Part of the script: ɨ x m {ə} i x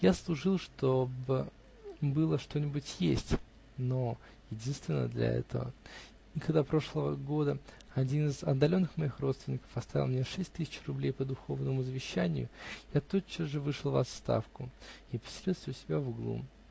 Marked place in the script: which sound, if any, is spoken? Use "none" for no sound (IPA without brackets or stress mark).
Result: ɐ